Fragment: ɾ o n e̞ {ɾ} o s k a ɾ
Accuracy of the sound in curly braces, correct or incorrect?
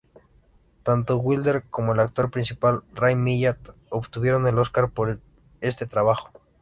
incorrect